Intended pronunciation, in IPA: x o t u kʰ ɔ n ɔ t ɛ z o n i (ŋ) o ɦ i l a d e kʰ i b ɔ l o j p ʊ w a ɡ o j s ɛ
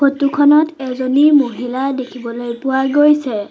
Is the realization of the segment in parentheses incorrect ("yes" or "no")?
yes